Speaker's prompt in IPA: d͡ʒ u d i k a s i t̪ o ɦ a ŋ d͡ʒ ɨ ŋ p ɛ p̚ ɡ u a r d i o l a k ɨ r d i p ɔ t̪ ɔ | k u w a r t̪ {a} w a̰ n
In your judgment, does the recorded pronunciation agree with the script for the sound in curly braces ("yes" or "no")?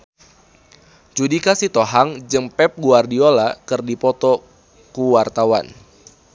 yes